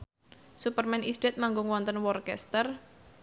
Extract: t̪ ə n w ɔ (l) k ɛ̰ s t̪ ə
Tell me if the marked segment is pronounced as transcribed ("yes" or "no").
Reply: no